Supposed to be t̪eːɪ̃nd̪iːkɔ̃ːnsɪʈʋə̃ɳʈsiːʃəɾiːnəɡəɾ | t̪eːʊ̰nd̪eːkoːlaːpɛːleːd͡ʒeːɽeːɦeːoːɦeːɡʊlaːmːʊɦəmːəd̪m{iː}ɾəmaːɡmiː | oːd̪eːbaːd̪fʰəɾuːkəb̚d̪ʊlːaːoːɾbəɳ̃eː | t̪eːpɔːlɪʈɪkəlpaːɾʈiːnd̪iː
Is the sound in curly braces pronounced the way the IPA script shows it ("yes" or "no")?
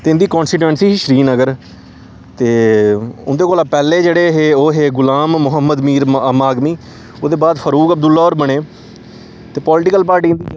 yes